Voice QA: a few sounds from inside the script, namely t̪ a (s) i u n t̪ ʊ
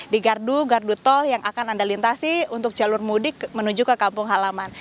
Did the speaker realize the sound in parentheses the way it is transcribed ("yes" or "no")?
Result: yes